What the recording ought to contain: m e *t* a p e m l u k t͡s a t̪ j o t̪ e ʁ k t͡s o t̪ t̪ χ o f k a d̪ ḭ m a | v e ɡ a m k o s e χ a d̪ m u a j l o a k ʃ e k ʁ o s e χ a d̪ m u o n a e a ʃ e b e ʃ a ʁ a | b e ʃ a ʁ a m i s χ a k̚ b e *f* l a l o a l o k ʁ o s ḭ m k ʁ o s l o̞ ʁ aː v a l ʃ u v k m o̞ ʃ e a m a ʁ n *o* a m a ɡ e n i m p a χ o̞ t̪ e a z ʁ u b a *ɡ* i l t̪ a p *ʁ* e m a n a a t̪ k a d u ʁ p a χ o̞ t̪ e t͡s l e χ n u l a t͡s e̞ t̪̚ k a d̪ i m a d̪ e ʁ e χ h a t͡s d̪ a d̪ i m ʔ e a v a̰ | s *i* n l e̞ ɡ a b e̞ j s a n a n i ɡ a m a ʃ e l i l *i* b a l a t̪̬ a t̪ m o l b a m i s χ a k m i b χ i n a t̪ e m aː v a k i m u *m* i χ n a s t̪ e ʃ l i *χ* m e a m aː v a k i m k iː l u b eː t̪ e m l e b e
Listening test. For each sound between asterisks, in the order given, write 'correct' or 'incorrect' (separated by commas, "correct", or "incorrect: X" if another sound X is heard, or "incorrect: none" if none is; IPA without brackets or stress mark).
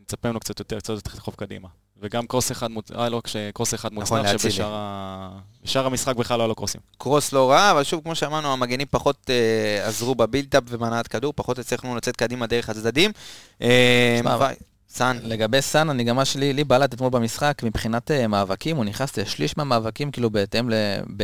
incorrect: t͡s, incorrect: χ, incorrect: u, incorrect: b, incorrect: v, incorrect: a, correct, incorrect: n, incorrect: ʃ